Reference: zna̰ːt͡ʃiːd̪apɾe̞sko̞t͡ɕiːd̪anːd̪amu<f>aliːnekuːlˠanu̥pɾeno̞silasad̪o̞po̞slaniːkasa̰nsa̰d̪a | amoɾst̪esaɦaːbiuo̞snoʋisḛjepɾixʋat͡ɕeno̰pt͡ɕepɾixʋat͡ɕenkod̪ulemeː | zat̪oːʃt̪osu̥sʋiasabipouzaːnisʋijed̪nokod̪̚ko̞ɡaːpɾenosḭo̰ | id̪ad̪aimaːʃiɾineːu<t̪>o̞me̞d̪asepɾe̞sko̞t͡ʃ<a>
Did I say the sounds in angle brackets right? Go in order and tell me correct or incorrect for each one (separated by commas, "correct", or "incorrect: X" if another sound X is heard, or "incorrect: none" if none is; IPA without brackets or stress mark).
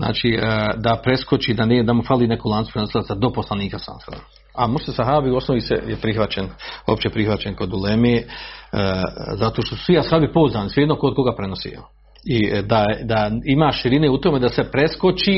correct, correct, incorrect: i